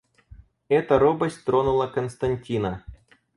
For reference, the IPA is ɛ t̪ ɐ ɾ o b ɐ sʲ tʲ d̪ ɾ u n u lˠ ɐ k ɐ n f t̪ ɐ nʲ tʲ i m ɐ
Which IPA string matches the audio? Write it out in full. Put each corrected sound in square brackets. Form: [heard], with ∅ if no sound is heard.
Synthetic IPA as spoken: ɛ t̪ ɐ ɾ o b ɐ sʲ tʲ [t̪] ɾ [o] n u lˠ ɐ k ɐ n [s] t̪ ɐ nʲ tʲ i [n] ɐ